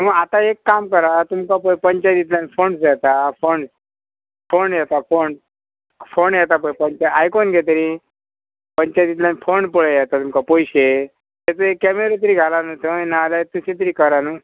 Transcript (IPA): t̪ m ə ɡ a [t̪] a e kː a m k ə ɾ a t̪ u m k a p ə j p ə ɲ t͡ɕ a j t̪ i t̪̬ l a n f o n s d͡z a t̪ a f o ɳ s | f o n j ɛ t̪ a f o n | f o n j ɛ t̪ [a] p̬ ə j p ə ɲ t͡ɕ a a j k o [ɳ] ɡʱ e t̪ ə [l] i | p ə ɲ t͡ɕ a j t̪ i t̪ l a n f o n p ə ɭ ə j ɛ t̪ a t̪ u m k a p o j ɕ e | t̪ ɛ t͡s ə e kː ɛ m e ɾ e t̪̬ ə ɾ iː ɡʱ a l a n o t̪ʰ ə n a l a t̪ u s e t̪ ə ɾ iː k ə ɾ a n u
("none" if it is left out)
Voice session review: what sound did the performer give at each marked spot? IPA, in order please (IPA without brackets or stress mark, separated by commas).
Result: t̪, a, n, ɾ